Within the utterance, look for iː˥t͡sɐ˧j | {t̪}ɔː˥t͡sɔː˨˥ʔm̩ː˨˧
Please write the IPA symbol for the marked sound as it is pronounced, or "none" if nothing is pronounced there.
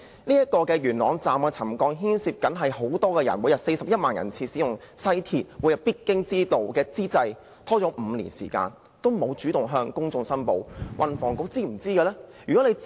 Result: t̪ʰ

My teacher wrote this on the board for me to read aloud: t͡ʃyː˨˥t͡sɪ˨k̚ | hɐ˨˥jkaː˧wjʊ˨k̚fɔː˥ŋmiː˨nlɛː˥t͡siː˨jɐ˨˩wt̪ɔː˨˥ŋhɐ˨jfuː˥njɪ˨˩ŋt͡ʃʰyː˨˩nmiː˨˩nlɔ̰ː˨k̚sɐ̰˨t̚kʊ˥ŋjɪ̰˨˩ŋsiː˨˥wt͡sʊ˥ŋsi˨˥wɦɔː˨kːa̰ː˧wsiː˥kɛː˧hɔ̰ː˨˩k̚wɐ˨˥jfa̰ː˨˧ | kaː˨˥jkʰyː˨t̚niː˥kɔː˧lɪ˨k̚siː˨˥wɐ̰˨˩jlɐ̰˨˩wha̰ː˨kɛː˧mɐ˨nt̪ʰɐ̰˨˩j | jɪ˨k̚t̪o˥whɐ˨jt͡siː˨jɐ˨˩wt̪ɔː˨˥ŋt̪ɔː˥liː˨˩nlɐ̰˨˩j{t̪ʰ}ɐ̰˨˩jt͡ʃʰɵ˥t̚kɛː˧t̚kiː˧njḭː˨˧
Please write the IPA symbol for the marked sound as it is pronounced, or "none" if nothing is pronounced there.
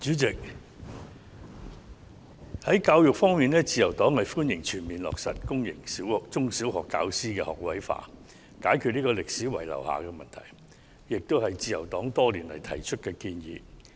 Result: t̪ʰ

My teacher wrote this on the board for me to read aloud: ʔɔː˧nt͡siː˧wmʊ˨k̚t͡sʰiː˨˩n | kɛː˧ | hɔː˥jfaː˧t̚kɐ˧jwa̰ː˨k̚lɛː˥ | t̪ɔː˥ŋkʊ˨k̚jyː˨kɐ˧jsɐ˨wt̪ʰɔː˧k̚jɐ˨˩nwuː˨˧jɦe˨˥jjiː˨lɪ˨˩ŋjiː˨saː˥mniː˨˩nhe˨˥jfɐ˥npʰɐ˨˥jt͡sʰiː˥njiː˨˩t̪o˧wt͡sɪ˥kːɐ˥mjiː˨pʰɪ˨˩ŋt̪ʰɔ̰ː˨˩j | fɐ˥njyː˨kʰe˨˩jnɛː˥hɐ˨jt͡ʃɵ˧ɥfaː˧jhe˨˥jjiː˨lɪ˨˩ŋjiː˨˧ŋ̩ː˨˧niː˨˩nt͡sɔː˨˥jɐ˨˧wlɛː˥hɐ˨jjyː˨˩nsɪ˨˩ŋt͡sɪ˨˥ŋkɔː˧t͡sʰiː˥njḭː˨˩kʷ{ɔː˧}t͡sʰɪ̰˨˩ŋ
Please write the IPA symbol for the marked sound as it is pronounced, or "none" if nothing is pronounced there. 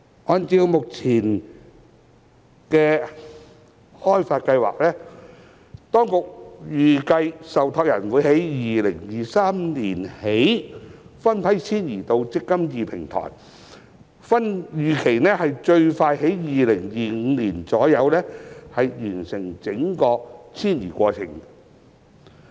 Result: ɔː˧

